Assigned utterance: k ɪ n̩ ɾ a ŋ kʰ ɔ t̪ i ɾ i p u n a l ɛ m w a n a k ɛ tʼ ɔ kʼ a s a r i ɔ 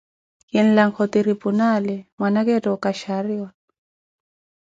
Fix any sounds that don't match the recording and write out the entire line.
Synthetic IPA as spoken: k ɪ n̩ l a ŋ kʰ ɔ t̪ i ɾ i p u n a l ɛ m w a n a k ɛ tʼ ɔ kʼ a ʃ a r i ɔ